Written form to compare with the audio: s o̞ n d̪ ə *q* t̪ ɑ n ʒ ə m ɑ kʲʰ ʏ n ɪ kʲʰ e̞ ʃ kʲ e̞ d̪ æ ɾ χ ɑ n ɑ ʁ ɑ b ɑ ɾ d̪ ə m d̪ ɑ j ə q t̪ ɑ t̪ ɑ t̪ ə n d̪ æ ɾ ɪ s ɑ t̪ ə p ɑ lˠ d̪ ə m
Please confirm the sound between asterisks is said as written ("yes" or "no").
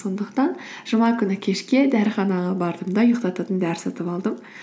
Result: yes